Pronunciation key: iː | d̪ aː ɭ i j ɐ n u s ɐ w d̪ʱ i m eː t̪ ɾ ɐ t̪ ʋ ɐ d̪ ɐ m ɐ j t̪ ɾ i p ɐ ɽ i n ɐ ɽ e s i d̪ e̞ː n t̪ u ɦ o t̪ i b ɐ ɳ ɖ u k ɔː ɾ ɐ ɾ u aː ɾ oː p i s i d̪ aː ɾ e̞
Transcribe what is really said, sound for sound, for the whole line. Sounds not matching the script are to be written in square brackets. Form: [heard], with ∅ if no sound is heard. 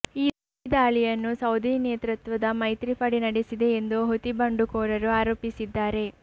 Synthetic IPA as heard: iː | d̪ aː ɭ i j ɐ [nː] u s ɐ w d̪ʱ i [n] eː t̪ ɾ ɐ t̪ ʋ ɐ d̪ ɐ m ɐ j t̪ ɾ i p ɐ ɽ i n ɐ ɽ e s i d̪ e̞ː n [d̪] u ɦ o t̪ i b ɐ ɳ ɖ u k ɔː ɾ ɐ ɾ u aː ɾ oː p i s i [d̪ː] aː ɾ e̞